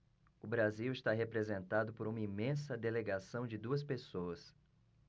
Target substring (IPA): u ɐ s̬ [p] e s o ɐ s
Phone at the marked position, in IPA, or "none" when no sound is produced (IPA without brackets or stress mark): p